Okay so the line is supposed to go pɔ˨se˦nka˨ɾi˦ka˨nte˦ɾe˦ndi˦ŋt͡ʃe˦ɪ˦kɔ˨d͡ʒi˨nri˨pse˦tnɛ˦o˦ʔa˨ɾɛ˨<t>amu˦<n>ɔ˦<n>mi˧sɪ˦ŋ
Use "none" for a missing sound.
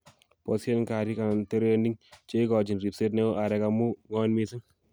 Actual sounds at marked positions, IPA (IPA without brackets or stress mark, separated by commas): k, ŋ, n